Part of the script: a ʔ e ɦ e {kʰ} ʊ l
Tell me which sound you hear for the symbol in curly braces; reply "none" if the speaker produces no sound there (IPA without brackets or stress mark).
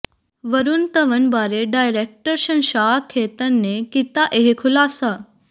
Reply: kʰ